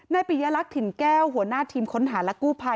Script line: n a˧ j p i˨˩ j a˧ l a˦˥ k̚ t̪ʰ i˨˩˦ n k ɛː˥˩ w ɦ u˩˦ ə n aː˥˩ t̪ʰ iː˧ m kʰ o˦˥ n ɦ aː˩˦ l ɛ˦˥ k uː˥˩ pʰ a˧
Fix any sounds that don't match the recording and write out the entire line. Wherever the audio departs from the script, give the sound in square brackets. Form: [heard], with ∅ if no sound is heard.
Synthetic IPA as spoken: n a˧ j p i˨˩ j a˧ l a˦˥ k̚ t̪ʰ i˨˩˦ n k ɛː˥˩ w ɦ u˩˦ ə n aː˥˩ t̪ʰ iː˧ m kʰ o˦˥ n ɦ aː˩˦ l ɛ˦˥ k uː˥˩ pʰ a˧